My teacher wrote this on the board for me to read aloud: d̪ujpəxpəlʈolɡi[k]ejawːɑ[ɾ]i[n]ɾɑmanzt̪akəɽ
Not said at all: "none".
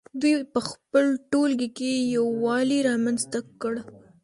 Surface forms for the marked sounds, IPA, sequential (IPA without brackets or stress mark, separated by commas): k, l, none